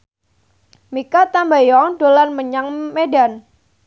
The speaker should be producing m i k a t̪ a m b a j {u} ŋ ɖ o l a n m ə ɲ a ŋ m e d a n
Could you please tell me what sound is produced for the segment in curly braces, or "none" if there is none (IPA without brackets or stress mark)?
ɔ